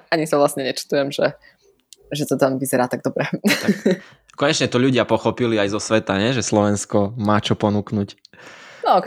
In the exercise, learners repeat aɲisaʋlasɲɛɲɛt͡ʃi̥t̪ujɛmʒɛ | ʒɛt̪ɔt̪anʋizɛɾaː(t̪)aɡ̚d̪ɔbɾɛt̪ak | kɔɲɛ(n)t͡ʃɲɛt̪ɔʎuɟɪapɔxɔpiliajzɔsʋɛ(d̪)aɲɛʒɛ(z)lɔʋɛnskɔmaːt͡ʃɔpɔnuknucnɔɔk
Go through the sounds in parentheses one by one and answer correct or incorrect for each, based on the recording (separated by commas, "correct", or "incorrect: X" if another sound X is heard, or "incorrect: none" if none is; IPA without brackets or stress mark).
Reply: correct, incorrect: none, incorrect: t̪, incorrect: s